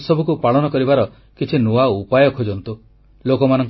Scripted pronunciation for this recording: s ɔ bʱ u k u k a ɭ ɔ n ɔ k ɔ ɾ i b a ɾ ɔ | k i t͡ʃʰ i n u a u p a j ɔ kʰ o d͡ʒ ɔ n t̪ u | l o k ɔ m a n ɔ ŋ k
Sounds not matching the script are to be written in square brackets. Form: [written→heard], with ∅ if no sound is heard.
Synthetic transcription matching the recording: s ɔ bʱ u k u [k→p] a ɭ ɔ n ɔ k ɔ ɾ i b a ɾ ɔ | k i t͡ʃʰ i n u a u p a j ɔ kʰ o d͡ʒ ɔ n t̪ u | l o k ɔ m a n ɔ ŋ k